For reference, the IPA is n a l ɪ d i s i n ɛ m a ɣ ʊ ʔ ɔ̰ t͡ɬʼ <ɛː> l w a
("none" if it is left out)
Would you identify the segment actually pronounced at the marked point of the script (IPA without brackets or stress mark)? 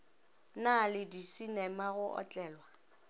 ɛː